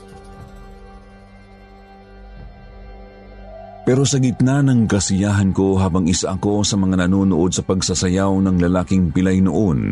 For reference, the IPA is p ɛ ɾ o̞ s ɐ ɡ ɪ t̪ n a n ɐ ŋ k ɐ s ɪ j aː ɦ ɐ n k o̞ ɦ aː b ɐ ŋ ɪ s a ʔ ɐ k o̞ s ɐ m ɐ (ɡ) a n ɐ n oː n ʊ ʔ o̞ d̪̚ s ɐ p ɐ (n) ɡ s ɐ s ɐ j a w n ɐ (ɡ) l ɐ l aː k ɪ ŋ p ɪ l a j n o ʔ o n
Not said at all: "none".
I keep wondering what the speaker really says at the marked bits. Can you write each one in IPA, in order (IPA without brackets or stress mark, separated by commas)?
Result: ŋ, none, ŋ